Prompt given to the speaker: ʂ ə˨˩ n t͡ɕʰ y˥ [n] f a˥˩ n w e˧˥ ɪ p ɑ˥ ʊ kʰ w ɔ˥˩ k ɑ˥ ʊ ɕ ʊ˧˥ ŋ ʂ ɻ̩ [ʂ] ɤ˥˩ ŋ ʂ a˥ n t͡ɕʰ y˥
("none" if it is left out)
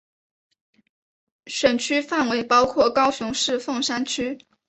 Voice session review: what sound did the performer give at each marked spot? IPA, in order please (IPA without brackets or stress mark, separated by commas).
none, f